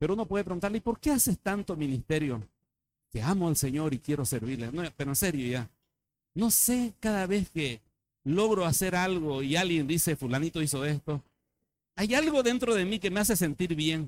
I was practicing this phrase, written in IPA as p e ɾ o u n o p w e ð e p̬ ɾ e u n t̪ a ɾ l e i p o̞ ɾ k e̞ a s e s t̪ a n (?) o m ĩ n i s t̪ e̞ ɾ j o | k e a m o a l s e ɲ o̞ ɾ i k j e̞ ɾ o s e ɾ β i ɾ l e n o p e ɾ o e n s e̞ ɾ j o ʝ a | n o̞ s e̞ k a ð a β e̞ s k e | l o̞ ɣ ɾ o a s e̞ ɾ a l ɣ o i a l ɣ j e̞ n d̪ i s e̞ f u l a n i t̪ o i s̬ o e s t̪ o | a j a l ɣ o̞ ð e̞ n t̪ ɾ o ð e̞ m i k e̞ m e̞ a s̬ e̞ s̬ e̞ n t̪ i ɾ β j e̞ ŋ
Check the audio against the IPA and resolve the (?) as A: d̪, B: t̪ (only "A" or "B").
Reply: B